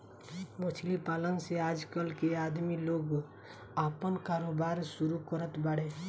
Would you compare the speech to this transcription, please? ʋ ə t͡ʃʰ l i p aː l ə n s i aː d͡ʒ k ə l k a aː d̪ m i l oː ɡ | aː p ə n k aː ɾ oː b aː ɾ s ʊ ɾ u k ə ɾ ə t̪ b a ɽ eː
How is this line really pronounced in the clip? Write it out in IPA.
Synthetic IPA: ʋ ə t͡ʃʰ l i p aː l ə n s e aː d͡ʒ k ə l k e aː d̪ m i l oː ɡ | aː p ə n k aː ɾ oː b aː ɾ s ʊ ɾ u k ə ɾ ə t̪ b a ɽ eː